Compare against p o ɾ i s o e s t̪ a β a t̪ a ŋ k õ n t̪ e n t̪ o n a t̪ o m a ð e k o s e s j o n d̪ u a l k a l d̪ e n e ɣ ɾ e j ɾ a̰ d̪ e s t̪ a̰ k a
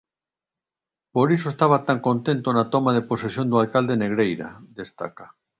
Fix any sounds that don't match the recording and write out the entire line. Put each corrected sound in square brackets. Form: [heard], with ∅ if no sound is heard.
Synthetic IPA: p o ɾ i s o e s t̪ a β a t̪ a ŋ k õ n t̪ e n t̪ o n a t̪ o m a ð e [p] o s e s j o n d̪ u a l k a l d̪ e n e ɣ ɾ e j ɾ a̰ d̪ e s t̪ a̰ k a